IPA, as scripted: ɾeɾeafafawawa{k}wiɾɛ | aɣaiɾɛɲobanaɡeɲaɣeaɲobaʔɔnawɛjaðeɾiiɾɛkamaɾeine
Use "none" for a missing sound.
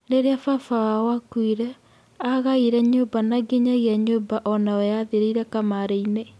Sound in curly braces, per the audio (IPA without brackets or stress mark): k